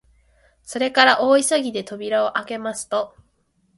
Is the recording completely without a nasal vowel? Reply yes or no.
yes